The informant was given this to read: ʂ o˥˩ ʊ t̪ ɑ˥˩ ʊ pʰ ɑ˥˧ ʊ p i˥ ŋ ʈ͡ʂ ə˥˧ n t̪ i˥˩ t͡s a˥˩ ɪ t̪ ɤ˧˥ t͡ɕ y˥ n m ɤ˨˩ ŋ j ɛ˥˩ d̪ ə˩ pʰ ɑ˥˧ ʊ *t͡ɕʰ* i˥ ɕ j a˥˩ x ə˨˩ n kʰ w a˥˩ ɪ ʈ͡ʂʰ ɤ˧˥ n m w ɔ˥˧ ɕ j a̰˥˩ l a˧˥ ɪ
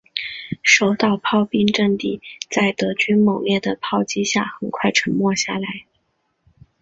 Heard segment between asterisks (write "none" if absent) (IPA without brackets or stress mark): t͡ɕ